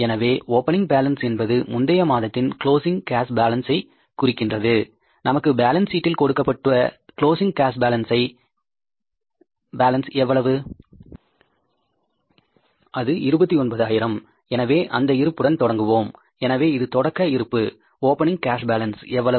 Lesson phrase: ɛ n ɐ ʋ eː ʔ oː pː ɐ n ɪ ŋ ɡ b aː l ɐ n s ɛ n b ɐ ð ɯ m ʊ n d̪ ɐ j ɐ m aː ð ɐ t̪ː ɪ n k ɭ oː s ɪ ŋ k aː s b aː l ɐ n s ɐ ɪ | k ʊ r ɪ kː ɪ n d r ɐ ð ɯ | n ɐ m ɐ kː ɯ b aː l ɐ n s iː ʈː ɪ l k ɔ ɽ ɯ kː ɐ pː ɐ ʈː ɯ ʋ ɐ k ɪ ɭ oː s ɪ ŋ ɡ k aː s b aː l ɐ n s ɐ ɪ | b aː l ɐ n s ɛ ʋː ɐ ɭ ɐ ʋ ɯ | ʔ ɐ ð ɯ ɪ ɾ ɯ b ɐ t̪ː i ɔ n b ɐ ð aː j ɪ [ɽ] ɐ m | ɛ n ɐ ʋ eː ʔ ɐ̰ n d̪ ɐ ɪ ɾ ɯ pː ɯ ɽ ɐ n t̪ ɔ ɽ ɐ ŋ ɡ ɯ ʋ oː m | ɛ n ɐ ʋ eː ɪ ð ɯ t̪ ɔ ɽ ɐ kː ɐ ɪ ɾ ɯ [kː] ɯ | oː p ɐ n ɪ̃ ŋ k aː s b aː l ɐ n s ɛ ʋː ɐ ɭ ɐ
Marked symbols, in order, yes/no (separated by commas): no, no